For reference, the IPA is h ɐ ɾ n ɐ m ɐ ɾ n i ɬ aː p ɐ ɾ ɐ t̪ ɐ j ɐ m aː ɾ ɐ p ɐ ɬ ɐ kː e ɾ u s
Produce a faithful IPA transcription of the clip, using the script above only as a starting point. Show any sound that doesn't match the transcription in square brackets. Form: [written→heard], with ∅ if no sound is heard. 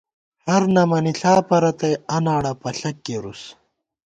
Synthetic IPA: h ɐ ɾ n ɐ m ɐ [ɾ→∅] n i ɬ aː p ɐ ɾ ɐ t̪ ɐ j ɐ [m→n] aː [ɾ→ɽ] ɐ p ɐ ɬ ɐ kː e ɾ u s